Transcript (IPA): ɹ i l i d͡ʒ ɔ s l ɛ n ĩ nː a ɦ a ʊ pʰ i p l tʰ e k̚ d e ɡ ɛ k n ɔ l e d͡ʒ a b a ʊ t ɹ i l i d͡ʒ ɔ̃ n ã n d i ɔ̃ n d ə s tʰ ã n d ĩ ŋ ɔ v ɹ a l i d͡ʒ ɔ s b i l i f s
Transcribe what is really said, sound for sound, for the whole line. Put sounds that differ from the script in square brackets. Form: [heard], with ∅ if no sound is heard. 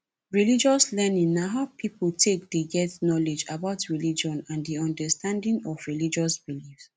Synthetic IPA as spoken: ɹ i l i d͡ʒ ɔ s l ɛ n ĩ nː a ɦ a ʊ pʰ i p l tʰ e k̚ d e ɡ ɛ [t] n ɔ l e d͡ʒ a b a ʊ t ɹ i l i d͡ʒ ɔ̃ n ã n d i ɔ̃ n d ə s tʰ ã n d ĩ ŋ ɔ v ɹ [i] l i d͡ʒ ɔ s b i l i f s